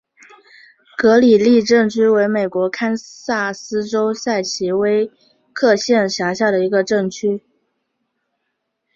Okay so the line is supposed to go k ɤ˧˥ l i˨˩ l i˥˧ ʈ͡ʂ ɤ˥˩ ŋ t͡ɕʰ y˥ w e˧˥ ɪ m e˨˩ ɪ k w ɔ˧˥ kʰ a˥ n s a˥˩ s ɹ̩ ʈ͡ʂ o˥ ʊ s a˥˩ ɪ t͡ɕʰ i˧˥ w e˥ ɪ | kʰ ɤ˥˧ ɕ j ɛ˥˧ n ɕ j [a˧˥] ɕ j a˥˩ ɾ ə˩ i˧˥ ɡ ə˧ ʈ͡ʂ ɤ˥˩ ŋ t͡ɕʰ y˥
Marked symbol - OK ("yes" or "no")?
yes